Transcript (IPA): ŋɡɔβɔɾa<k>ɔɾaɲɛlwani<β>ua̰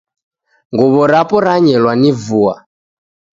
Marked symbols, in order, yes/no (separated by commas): no, no